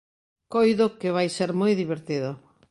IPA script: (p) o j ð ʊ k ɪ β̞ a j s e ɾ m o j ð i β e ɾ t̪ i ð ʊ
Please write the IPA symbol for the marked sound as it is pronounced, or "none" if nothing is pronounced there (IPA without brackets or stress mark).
k